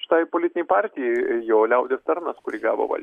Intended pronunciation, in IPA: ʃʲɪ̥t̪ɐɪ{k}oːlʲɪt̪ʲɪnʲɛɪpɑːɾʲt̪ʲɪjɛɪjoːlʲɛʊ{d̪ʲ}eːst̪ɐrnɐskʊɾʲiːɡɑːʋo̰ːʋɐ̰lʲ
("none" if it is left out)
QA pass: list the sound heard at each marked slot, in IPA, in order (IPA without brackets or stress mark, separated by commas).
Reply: p, d̪ʲ